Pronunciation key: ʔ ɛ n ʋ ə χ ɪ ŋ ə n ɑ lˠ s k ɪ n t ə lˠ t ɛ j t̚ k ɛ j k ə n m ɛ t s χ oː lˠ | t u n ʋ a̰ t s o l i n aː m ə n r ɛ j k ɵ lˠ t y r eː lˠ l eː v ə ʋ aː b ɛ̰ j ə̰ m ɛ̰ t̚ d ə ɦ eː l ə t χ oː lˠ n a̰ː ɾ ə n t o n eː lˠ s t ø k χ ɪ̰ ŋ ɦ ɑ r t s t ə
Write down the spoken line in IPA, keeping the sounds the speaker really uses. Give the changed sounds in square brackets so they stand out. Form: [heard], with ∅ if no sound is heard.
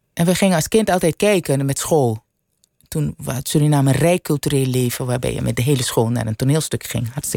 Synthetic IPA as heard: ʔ ɛ n ʋ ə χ ɪ ŋ ə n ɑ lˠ s k ɪ n t [ɑ] lˠ t ɛ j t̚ k ɛ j k ə n m ɛ t s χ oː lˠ | t u n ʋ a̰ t s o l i n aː m ə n r ɛ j k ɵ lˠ t y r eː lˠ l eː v ə ʋ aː b ɛ̰ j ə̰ m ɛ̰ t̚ d ə ɦ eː l ə [s] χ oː lˠ n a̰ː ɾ ə n t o n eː lˠ s t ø k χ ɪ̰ ŋ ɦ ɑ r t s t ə